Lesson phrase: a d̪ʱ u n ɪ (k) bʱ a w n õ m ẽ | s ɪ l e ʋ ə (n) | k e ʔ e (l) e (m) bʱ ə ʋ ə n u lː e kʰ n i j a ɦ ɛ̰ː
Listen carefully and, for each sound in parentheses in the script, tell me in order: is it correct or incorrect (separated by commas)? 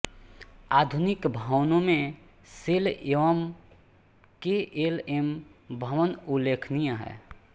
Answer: correct, incorrect, correct, correct